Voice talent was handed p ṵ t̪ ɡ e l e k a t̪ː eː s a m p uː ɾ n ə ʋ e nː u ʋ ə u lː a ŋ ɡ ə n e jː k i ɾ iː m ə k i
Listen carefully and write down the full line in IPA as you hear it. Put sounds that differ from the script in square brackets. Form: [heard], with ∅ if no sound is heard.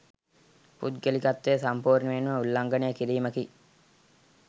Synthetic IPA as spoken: p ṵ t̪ ɡ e l [i] k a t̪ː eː s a m p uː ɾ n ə ʋ e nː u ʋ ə u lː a ŋ ɡ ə n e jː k i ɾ iː m ə k i